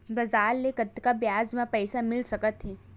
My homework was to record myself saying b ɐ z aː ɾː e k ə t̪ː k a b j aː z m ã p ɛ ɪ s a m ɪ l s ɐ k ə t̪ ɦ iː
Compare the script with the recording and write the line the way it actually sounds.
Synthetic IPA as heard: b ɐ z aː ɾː e k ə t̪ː k a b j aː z m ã p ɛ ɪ s a m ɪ l s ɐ k ə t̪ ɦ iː